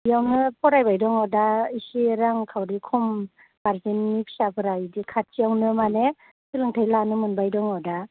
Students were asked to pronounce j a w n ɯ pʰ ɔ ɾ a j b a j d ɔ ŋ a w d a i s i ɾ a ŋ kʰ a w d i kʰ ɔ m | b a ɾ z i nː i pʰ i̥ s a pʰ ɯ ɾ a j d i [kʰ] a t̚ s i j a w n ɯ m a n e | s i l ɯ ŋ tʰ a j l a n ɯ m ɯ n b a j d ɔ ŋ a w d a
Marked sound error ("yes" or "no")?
no